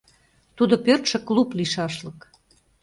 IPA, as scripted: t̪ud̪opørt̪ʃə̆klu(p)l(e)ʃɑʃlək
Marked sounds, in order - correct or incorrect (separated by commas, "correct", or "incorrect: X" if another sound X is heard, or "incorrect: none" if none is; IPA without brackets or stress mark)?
correct, incorrect: i